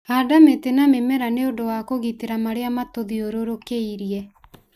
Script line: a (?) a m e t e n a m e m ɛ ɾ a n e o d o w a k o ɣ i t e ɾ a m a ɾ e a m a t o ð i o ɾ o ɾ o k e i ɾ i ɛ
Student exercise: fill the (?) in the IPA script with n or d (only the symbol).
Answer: d